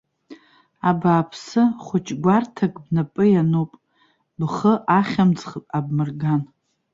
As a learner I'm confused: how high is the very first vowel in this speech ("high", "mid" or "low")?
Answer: low